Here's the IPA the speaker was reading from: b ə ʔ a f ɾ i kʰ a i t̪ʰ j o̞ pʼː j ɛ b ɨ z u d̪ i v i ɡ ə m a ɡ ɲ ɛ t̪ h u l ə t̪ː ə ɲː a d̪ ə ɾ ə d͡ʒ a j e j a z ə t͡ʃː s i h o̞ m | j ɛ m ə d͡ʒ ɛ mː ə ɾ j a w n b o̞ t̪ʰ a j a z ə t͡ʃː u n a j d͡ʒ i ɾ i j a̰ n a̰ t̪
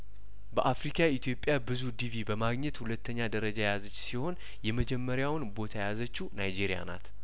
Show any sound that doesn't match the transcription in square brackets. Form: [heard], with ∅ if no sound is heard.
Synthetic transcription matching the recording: b ə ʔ a f ɾ i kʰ a i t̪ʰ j o̞ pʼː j [a] b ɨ z u d̪ i v i [b] ə m a ɡ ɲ ɛ t̪ h u l ə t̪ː ə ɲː a d̪ ə ɾ ə d͡ʒ a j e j a z ə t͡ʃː s i h o̞ [n] | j ɛ m ə d͡ʒ ɛ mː ə ɾ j a w n b o̞ t̪ʰ a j a z ə t͡ʃː u n a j d͡ʒ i ɾ i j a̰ n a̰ t̪